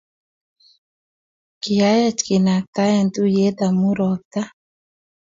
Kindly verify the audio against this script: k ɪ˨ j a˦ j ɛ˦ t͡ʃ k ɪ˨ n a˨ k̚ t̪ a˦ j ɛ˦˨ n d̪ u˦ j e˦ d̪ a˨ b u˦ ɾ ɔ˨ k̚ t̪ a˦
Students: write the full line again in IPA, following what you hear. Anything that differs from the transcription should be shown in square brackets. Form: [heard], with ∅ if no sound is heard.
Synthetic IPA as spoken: k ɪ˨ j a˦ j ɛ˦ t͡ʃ k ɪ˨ n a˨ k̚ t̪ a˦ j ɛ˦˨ n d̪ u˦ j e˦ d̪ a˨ [m] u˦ ɾ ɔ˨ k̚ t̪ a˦